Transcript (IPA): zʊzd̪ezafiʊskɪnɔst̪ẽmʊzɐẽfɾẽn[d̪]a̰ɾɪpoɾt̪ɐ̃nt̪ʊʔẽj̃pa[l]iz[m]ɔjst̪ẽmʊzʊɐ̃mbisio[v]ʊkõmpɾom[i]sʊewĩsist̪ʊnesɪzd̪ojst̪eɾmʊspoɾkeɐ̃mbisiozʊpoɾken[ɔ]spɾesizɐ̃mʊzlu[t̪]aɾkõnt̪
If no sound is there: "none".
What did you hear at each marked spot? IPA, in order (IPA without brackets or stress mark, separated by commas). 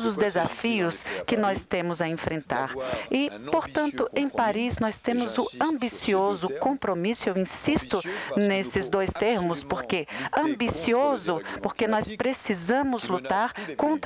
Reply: t̪, ɾ, n, z, i, ɔ, t̪